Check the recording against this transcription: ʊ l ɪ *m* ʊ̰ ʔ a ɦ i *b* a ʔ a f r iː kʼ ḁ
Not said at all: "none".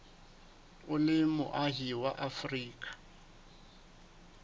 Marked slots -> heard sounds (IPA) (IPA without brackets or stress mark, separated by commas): m, w